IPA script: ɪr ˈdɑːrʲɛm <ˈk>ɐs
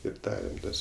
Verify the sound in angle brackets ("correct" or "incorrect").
incorrect